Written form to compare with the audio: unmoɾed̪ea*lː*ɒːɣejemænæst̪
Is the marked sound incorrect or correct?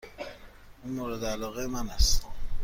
incorrect: l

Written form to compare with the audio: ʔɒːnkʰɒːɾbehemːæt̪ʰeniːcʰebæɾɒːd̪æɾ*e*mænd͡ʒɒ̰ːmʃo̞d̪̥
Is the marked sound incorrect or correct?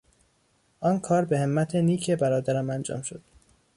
incorrect: æ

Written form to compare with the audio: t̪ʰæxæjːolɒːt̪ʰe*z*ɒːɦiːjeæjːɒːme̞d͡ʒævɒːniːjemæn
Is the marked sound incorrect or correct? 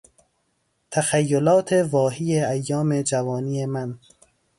incorrect: v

